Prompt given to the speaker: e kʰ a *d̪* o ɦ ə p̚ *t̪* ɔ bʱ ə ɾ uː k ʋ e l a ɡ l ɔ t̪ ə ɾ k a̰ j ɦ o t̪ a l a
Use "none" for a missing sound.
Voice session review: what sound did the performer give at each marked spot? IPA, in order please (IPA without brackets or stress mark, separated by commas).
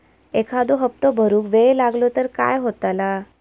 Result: d̪, t̪